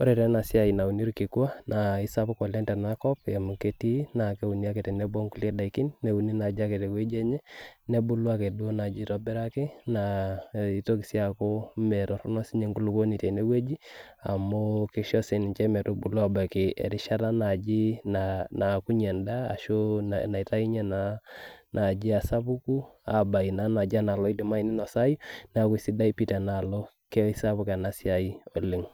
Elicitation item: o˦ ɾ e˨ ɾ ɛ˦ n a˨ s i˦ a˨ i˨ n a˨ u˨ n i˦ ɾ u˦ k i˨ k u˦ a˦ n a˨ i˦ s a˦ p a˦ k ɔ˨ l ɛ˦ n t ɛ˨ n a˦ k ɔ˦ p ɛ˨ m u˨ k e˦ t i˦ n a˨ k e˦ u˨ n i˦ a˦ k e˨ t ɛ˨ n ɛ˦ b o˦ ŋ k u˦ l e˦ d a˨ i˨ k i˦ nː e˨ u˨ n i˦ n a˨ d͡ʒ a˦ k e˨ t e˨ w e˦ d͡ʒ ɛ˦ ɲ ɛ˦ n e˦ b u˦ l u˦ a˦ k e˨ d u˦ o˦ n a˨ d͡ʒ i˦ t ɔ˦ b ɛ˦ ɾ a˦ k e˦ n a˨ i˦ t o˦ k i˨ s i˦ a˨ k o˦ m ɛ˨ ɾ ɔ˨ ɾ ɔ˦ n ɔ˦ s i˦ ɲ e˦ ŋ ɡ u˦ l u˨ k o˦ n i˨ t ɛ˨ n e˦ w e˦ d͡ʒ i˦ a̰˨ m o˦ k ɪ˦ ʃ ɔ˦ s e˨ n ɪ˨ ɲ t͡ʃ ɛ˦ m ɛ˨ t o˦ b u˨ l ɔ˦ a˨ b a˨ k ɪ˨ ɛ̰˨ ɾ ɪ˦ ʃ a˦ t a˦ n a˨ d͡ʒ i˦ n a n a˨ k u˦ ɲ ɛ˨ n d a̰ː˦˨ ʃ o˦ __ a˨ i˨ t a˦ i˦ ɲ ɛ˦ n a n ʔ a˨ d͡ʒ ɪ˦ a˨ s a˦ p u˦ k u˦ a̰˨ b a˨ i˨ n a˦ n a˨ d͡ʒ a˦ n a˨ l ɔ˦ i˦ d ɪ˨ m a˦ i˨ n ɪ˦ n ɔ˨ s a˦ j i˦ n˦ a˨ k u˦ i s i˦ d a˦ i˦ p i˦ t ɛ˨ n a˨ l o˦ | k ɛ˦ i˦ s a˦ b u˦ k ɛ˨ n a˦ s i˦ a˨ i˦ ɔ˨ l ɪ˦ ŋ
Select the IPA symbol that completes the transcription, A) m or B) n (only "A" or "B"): B